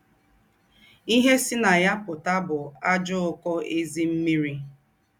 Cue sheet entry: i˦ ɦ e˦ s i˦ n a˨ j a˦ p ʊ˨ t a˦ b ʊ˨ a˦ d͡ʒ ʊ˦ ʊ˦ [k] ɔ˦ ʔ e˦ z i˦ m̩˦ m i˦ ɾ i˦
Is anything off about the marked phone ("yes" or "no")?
no